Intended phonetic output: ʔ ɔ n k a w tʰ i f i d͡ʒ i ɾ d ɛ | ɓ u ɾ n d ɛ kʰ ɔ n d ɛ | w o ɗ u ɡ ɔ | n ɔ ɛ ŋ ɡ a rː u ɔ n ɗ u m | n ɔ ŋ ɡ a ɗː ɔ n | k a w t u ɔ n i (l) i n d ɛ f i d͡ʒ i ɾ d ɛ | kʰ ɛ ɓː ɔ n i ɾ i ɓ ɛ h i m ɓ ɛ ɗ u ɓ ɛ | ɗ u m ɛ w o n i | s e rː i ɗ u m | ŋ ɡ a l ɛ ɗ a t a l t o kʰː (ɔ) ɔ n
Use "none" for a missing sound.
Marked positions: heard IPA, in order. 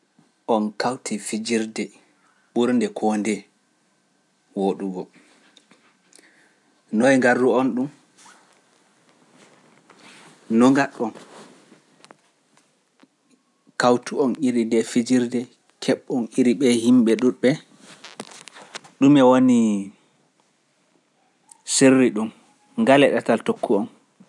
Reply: ɾ, u

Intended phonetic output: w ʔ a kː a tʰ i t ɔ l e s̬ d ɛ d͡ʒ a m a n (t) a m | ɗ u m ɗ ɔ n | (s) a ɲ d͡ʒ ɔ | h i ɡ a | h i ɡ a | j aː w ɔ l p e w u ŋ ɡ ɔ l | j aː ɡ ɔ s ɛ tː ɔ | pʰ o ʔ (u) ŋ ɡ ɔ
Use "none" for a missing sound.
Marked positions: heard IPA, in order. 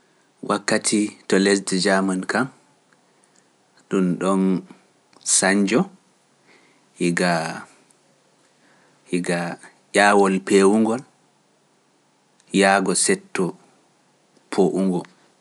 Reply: k, s, u

